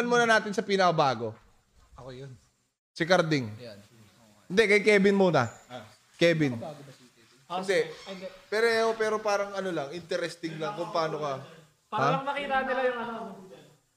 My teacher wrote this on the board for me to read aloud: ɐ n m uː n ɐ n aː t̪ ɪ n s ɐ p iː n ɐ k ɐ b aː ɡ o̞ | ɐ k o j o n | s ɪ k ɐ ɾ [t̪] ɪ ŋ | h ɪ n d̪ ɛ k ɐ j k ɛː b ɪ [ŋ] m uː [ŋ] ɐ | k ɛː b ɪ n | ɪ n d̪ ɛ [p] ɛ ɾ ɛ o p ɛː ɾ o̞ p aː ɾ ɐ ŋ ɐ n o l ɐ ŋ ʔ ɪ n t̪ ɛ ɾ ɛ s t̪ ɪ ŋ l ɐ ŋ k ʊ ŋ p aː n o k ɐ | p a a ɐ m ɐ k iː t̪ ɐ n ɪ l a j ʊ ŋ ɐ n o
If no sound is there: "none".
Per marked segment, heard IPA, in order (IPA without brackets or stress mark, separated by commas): d̪, n, n, p